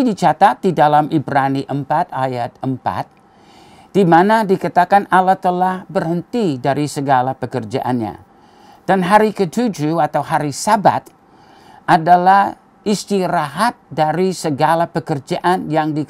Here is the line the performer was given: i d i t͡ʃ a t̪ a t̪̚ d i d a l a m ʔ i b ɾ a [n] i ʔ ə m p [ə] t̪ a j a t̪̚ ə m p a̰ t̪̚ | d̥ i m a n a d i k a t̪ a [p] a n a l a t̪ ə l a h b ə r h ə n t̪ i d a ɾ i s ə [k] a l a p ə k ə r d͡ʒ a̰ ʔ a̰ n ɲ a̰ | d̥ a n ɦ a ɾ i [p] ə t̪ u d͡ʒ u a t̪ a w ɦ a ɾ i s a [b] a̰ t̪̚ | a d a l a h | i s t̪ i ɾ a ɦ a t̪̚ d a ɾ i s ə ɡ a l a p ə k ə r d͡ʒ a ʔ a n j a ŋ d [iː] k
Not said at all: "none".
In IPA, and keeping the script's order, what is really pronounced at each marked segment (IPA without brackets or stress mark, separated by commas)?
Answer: n, a, k, ɡ, k, b, i